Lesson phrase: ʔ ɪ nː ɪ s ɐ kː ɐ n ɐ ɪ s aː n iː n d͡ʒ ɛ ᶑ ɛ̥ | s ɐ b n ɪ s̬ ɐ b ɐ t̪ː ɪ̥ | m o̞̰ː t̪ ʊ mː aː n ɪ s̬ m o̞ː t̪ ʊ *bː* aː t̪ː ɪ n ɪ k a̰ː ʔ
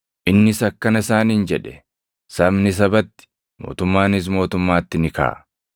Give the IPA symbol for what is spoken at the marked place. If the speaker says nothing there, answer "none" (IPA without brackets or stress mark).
mː